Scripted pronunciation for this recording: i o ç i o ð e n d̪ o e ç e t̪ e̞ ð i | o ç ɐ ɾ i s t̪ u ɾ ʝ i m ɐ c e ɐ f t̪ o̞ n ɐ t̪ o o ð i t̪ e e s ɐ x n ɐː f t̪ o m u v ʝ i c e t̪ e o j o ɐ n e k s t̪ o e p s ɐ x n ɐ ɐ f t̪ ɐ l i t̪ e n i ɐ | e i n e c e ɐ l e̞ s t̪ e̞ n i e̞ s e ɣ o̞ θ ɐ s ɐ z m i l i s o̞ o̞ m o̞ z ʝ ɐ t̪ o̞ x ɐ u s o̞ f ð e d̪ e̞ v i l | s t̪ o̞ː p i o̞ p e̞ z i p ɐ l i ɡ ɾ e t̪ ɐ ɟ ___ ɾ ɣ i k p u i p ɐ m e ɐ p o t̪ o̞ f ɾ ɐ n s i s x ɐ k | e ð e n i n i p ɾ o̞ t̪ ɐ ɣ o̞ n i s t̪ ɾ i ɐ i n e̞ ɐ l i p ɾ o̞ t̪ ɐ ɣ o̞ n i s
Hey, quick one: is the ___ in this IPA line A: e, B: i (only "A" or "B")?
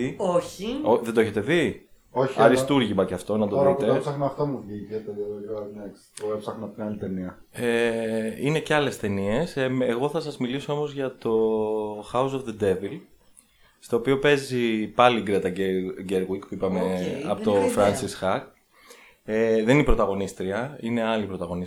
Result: A